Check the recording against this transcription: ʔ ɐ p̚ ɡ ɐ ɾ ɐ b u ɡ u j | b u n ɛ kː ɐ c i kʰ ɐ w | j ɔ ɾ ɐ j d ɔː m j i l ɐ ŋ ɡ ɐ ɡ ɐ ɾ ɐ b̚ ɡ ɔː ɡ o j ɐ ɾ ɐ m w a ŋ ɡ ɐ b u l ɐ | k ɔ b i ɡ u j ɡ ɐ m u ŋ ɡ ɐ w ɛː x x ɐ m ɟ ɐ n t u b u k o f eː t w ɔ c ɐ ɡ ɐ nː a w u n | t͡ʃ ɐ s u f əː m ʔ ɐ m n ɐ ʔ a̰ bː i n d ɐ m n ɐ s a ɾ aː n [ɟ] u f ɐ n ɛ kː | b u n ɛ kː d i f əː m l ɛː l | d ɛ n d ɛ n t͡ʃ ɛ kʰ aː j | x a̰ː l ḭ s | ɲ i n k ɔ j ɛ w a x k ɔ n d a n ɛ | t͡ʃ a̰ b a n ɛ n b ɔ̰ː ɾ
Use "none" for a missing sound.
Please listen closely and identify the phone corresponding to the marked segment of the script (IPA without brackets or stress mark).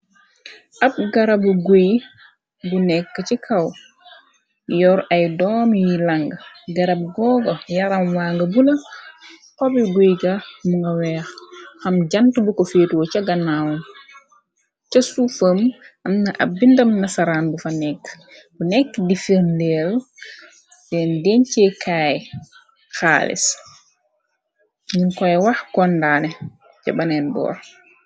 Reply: b